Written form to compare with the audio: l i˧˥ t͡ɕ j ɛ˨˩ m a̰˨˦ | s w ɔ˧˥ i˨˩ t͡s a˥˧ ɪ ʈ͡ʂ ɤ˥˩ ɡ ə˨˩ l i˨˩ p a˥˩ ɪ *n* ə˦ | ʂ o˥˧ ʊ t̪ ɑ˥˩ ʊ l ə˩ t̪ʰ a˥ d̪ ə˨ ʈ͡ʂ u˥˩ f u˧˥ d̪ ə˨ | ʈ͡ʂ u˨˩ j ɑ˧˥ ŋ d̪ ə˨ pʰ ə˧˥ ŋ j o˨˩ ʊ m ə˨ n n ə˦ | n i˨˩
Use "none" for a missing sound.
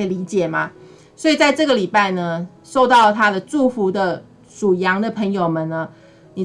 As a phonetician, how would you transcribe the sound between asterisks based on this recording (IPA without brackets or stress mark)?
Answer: n